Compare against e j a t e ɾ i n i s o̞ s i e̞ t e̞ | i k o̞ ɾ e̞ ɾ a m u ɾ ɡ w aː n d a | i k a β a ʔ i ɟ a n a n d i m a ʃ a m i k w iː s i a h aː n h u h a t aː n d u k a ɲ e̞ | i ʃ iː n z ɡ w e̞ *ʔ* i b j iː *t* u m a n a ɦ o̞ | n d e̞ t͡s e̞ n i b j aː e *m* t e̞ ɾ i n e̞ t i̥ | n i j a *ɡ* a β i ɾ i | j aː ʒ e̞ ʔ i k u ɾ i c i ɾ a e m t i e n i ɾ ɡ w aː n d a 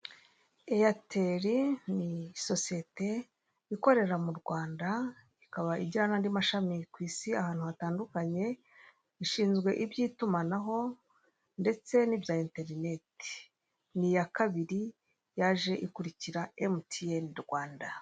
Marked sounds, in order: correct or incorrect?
correct, correct, incorrect, incorrect

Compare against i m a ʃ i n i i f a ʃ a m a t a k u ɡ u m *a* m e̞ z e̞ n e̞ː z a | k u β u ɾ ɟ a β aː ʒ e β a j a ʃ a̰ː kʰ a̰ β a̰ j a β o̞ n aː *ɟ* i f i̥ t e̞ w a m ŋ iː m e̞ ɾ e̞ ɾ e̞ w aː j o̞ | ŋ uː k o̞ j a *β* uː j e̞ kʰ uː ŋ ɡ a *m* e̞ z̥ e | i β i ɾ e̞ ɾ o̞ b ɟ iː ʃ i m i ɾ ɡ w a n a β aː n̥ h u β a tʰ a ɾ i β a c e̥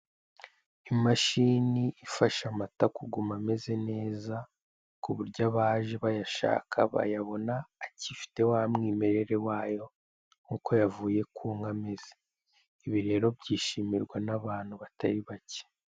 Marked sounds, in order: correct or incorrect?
correct, incorrect, incorrect, correct

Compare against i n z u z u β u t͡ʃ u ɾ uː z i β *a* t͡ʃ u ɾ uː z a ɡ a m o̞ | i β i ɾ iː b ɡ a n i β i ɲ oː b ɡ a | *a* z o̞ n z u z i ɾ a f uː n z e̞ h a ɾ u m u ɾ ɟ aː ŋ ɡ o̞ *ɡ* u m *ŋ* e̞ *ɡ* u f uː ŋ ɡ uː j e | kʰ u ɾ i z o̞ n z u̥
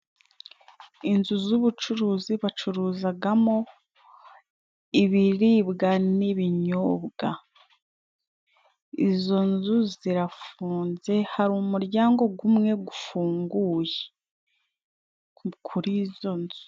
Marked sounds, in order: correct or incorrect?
correct, incorrect, correct, correct, correct

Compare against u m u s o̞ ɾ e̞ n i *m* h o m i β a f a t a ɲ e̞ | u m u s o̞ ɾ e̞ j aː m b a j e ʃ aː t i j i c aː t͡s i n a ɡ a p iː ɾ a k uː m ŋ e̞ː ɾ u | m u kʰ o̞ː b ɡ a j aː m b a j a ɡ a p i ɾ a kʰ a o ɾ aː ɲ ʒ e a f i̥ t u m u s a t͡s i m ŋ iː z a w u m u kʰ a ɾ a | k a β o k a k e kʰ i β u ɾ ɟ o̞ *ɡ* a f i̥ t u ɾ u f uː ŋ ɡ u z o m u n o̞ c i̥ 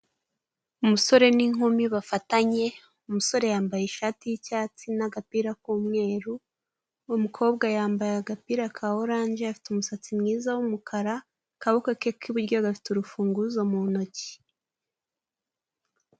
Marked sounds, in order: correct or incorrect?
incorrect, correct

